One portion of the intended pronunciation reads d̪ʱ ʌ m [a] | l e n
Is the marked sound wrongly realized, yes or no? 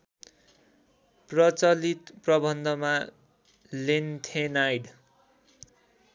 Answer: no